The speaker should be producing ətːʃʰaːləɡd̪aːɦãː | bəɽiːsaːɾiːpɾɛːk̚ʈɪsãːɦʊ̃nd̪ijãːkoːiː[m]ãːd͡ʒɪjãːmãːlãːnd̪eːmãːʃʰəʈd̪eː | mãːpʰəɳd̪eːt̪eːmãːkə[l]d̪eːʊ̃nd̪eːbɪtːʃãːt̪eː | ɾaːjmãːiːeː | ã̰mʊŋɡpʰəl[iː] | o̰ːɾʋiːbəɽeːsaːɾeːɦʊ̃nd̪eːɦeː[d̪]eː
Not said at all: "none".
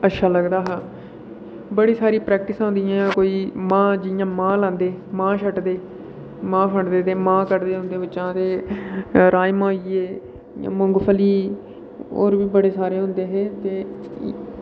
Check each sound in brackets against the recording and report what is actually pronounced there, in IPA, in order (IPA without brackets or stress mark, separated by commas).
m, ɾ, iː, t̪